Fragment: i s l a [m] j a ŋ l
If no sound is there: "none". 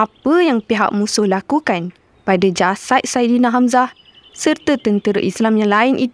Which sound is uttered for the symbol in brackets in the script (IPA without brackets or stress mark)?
m